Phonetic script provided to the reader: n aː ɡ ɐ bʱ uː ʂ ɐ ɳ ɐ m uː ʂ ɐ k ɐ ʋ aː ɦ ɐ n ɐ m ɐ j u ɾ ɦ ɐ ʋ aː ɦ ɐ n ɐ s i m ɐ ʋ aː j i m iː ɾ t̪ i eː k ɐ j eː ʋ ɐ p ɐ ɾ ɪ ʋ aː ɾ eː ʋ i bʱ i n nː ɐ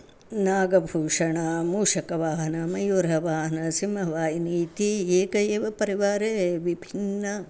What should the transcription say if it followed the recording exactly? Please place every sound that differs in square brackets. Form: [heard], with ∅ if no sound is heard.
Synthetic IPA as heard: n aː ɡ ɐ bʱ uː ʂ ɐ ɳ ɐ m uː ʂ ɐ k ɐ ʋ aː ɦ ɐ n ɐ m ɐ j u ɾ ɦ ɐ ʋ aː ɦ ɐ n ɐ s i m ɐ ʋ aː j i [n] iː [∅] t̪ i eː k ɐ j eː ʋ ɐ p ɐ ɾ [i] ʋ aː ɾ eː ʋ i bʱ i n nː ɐ